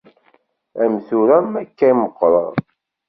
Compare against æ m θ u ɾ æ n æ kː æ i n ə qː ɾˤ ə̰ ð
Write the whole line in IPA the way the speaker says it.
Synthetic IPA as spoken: æ m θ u ɾ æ m æ kː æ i m ə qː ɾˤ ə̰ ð